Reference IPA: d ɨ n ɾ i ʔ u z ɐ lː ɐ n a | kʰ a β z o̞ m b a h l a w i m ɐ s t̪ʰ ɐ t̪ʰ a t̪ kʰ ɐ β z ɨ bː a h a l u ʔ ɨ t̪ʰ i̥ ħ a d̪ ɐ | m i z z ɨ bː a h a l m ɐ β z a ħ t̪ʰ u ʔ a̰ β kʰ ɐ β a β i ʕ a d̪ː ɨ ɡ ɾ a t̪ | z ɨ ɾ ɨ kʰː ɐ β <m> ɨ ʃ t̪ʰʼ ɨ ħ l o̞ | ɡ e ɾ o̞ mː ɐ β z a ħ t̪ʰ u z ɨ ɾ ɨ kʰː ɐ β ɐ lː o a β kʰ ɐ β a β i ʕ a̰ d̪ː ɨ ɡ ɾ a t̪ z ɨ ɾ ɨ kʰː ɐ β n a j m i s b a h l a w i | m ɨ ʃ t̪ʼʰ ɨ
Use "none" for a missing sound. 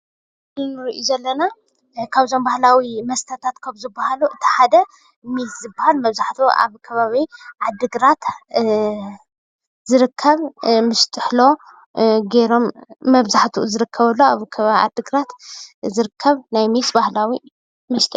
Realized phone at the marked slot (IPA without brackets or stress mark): m